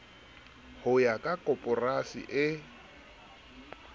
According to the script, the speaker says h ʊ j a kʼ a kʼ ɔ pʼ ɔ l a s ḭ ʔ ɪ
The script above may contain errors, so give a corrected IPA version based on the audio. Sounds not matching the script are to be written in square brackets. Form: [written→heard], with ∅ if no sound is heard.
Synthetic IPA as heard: h ʊ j a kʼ a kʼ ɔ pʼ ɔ [l→r] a s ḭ ʔ ɪ